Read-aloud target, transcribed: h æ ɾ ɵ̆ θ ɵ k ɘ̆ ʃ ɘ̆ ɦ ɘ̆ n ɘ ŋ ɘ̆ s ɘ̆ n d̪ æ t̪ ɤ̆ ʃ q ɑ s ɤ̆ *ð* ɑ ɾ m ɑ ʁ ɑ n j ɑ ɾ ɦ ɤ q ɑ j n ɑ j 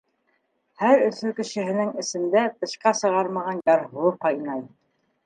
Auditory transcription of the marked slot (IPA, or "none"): ʁ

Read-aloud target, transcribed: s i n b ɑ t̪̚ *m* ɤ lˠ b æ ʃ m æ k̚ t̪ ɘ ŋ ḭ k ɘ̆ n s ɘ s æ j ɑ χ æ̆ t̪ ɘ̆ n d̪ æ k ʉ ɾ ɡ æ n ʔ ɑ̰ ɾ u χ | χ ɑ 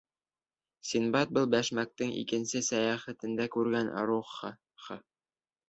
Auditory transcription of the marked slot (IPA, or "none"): b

